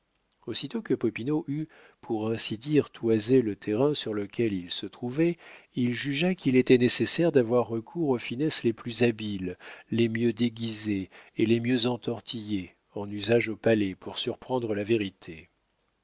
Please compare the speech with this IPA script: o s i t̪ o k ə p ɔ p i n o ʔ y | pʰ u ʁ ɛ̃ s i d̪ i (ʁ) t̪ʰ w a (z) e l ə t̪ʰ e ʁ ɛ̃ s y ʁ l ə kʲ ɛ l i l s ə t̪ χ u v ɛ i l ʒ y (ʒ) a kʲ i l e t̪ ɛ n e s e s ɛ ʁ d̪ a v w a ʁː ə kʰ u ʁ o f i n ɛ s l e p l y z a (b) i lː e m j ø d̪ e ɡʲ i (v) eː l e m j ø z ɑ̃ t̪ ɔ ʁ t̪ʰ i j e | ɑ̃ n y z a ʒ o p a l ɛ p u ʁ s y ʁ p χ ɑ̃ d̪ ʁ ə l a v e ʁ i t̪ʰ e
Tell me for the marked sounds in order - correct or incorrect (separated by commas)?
correct, correct, correct, correct, incorrect